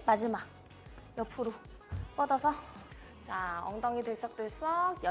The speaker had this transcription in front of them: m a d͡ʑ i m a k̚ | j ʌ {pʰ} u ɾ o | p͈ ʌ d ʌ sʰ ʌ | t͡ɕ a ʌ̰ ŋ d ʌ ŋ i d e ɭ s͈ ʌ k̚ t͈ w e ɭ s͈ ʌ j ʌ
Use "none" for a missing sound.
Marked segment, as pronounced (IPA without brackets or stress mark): pʰ